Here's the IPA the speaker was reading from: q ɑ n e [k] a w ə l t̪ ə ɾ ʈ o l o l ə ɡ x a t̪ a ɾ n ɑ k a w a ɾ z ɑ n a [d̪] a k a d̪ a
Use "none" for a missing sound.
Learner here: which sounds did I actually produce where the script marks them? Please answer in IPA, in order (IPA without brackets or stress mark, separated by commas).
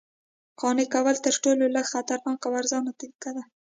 k, t̪